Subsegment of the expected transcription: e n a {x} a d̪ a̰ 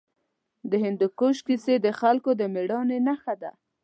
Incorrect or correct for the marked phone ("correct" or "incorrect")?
correct